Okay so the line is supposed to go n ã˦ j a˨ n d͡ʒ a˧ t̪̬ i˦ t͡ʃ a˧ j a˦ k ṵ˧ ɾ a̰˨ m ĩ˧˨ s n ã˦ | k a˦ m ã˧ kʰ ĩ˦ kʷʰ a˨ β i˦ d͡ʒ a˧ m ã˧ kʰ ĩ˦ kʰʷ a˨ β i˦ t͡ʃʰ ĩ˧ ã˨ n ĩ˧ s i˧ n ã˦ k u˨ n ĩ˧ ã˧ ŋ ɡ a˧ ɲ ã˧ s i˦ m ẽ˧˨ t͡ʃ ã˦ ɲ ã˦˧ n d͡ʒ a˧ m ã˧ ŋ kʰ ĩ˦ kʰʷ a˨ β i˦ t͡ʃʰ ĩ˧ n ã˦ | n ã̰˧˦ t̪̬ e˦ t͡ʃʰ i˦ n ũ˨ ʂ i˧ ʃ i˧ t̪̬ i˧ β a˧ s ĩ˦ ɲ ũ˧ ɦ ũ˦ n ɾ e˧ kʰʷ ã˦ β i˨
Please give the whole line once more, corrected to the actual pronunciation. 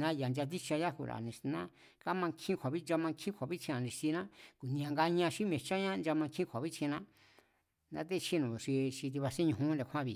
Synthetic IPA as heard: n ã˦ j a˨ n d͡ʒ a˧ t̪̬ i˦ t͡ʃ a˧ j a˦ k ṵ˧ ɾ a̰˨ n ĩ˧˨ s n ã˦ | k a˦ m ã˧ kʰ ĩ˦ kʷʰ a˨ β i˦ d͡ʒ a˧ m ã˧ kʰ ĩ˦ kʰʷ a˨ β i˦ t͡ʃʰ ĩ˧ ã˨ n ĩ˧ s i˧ n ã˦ k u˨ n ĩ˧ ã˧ ŋ ɡ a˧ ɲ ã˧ ʃ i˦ m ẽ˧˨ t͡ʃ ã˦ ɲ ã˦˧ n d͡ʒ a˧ m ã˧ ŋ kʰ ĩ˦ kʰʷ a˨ β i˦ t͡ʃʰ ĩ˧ n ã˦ | n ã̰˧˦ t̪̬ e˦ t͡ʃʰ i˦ n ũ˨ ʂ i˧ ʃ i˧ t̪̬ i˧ β a˧ s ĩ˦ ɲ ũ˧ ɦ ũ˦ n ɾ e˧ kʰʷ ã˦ β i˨